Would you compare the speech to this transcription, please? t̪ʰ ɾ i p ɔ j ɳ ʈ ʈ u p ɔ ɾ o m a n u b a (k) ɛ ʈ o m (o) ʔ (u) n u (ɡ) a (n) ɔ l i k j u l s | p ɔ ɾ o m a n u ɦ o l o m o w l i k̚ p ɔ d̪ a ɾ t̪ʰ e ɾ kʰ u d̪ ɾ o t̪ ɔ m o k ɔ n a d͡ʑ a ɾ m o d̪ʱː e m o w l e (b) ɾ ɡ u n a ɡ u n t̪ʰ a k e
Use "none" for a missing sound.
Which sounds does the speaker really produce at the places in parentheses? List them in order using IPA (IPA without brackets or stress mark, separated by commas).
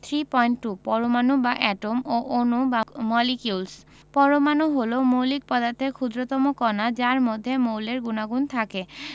ʔ, o, o, b, m, none